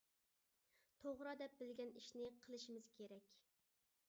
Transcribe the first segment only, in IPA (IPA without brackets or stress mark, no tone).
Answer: t̪ʰ